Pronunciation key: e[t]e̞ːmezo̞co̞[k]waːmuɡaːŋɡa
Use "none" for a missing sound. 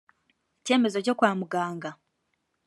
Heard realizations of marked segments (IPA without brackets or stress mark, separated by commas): c, k